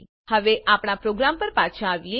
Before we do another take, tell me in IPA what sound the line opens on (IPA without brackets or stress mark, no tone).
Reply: h